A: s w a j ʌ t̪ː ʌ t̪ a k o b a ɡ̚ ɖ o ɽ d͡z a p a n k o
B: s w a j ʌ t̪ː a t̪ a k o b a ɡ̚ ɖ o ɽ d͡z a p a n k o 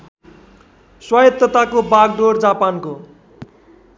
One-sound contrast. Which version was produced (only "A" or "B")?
A